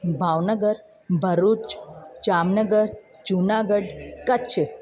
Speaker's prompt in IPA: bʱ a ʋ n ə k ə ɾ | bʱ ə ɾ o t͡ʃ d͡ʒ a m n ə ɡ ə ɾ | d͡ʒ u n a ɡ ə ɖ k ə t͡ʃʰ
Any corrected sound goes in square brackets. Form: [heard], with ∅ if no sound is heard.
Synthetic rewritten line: bʱ a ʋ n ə [ɡ] ə ɾ | bʱ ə ɾ [u] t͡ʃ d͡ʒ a m n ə ɡ ə ɾ | d͡ʒ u n a ɡ ə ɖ k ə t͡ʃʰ